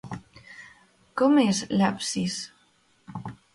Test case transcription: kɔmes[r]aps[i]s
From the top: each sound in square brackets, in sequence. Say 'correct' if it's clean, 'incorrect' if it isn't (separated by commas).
incorrect, correct